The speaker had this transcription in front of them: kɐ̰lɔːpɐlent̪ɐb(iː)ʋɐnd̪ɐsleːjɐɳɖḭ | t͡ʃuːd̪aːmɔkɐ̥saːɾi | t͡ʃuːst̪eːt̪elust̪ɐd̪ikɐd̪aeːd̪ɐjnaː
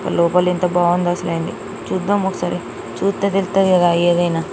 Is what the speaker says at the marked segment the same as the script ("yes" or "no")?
no